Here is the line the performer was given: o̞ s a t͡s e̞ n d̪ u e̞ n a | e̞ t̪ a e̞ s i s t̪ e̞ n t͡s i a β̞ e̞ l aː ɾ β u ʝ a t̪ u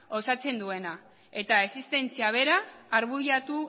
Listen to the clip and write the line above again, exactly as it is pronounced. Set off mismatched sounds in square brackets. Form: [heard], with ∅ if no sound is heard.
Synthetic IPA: o̞ s a t͡s e̞ n d̪ u e̞ n a | e̞ t̪ a e̞ s i s t̪ e̞ n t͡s i a β̞ e̞ [ɾ] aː ɾ β u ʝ a t̪ u